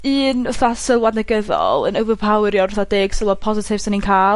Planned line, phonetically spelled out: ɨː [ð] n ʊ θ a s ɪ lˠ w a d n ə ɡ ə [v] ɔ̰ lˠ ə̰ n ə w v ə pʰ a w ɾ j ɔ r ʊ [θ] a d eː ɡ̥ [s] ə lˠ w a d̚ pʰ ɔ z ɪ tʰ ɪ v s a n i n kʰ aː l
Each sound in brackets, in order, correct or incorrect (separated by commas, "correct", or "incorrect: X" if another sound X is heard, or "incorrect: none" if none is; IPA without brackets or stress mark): incorrect: none, incorrect: ð, correct, correct